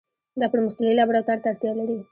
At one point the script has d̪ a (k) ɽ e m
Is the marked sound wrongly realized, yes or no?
yes